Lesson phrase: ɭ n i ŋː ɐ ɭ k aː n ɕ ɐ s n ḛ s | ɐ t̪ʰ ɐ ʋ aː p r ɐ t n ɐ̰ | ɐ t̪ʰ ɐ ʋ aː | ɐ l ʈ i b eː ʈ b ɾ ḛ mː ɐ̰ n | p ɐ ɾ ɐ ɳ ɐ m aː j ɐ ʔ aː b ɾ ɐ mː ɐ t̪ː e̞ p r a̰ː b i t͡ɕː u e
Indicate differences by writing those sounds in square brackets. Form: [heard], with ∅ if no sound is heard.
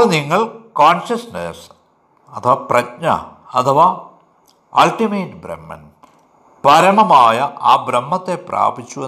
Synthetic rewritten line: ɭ n i ŋː ɐ ɭ k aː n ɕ ɐ s n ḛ s | ɐ t̪ʰ ɐ ʋ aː p r ɐ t [ɲ] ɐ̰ | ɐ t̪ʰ ɐ ʋ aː | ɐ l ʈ i [m] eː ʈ b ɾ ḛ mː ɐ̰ n | p ɐ ɾ ɐ ɳ ɐ m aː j ɐ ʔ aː b ɾ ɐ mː ɐ t̪ː e̞ p r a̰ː b i t͡ɕː u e